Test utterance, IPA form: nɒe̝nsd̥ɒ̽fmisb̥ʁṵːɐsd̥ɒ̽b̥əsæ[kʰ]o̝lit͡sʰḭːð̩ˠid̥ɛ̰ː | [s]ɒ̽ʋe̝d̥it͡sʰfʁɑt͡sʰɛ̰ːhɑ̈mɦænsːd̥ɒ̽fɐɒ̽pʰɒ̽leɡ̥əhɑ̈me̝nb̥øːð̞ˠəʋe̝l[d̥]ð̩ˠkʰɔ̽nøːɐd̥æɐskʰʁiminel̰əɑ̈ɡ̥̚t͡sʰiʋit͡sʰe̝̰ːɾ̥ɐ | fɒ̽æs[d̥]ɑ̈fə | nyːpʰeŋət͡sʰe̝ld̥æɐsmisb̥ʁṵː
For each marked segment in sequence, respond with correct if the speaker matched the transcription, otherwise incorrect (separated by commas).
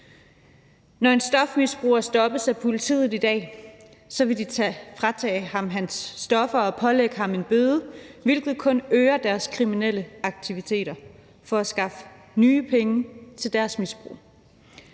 incorrect, correct, incorrect, incorrect